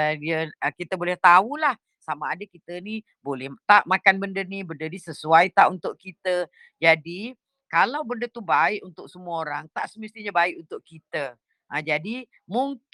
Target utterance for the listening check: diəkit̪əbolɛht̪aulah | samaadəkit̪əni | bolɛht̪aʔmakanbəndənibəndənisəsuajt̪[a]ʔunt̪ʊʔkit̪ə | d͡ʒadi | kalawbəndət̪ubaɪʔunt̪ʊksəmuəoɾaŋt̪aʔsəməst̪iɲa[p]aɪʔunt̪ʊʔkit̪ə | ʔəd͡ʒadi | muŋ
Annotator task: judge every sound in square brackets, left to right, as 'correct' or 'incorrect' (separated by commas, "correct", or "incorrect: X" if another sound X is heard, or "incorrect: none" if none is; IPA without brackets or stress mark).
correct, incorrect: b